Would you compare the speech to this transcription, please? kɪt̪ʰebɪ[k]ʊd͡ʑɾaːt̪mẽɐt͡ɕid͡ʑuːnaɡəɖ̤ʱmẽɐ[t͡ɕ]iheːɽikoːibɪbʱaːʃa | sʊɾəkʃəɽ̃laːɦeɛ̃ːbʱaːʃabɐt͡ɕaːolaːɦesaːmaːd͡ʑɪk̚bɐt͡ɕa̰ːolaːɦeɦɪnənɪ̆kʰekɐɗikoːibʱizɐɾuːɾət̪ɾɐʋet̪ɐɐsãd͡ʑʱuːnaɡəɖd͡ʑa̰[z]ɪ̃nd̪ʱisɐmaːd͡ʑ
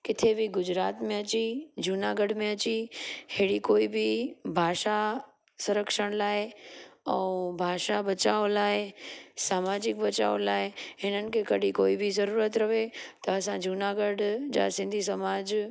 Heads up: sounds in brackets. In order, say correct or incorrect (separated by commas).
incorrect, correct, incorrect